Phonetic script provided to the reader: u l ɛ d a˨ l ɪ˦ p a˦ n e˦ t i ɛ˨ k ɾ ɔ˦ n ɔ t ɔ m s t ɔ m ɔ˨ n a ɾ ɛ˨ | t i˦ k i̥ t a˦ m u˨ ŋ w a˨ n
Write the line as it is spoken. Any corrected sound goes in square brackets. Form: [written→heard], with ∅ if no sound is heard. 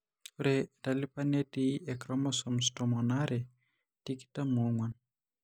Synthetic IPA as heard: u [l→ɾ] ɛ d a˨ l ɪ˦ p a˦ n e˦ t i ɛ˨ k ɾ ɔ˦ [n→m] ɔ [t→s] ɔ m s t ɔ m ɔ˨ n a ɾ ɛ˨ | t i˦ k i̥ t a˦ m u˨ ŋ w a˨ n